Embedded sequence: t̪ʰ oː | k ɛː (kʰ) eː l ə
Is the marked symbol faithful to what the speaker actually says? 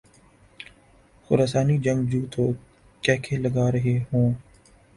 yes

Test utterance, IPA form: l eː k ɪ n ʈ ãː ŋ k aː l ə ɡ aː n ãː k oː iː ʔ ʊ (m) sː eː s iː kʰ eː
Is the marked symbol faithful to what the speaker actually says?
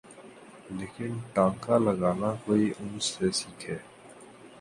no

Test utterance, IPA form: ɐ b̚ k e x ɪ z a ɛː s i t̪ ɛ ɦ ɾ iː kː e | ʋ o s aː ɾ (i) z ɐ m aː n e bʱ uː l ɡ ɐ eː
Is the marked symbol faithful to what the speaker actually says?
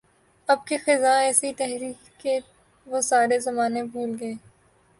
no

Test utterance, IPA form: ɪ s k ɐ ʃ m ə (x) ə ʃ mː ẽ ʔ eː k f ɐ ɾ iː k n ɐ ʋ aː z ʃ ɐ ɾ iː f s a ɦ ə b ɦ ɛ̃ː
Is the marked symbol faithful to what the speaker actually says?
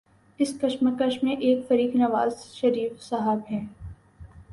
no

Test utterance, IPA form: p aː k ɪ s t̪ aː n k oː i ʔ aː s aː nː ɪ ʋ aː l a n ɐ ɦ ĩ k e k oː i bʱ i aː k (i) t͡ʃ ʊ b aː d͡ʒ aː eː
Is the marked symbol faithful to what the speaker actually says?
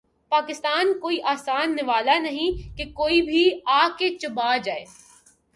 no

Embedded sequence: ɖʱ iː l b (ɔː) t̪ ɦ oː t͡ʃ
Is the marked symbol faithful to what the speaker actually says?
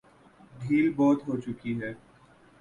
yes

